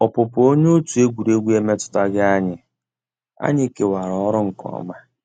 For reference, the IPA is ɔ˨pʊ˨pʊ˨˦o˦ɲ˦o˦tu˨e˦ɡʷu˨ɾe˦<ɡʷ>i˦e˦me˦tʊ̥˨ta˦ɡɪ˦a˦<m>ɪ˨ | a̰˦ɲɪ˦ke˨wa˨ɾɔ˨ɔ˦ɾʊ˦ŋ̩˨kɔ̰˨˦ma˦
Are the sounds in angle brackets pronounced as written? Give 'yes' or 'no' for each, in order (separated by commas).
yes, no